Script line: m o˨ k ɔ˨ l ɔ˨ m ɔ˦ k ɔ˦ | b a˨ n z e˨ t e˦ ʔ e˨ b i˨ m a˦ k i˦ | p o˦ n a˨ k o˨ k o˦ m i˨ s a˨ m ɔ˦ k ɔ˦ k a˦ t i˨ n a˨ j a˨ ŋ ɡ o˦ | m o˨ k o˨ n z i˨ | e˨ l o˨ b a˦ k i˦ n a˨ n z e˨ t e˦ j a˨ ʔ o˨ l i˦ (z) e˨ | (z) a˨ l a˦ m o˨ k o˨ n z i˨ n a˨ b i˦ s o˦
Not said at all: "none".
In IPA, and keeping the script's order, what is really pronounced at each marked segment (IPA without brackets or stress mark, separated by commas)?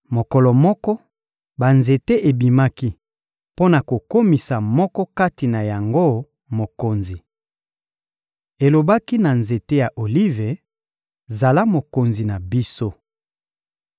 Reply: v, z